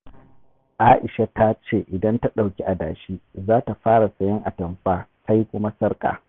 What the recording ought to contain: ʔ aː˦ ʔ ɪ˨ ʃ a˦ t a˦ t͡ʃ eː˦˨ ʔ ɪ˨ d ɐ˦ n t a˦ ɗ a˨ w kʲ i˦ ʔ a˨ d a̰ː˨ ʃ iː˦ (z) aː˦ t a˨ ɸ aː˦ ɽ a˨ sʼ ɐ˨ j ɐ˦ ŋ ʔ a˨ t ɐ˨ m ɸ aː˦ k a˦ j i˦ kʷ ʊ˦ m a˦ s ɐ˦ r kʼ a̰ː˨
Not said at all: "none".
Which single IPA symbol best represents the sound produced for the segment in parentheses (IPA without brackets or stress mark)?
z